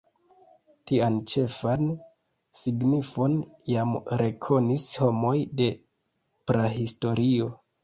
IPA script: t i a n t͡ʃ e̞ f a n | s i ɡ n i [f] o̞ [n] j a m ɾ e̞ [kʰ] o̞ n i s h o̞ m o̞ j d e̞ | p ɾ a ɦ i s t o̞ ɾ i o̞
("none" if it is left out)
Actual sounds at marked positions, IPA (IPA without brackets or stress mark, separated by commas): f, n, kʰ